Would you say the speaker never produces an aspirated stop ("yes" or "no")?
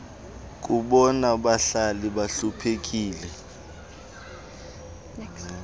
no